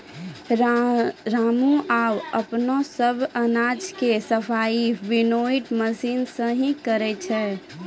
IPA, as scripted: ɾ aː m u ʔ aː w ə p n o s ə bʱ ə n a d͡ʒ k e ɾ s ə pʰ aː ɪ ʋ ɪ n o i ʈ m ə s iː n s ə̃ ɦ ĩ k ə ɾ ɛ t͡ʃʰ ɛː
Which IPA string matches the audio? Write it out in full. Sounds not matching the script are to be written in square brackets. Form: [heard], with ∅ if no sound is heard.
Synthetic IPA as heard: ɾ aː m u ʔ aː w ə p n o s ə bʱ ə n a d͡ʒ k e [∅] s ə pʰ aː [i] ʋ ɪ n o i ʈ m ə s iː n s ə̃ ɦ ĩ k ə ɾ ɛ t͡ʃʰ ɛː